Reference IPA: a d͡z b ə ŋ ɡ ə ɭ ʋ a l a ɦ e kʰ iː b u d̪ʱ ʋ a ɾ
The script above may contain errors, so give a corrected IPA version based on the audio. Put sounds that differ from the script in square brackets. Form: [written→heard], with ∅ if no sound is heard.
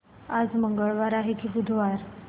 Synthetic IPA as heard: a d͡z [b→m] ə ŋ ɡ ə ɭ ʋ a [l→ɾ] a ɦ e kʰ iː b u d̪ʱ ʋ a ɾ